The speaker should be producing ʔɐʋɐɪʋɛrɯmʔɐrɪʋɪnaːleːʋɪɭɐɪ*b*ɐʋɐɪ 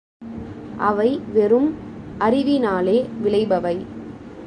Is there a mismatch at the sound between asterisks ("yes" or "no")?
no